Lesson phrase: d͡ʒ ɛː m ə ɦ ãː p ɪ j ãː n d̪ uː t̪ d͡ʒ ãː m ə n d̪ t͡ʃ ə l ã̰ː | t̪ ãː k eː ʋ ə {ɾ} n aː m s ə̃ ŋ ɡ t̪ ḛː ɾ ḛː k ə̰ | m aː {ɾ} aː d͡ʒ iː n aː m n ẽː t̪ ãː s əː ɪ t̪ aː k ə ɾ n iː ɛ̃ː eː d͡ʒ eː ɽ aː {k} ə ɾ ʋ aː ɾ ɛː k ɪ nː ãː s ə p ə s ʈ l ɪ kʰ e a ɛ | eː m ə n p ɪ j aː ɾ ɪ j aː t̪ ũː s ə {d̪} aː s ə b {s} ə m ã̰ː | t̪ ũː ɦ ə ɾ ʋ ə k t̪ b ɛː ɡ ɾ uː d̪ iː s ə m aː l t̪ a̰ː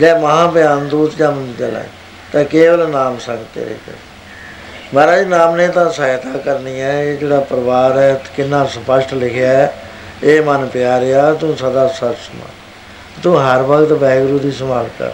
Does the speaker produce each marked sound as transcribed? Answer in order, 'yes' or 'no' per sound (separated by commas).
no, yes, no, yes, yes